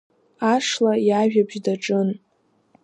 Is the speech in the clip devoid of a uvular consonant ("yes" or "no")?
yes